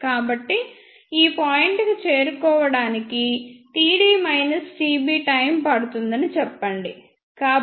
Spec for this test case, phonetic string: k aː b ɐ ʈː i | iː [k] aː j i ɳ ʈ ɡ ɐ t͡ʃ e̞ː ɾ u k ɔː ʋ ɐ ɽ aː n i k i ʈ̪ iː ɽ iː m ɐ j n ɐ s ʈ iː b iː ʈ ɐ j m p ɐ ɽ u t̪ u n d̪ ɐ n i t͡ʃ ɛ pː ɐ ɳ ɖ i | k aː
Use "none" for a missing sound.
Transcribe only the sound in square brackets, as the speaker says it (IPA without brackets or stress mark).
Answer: p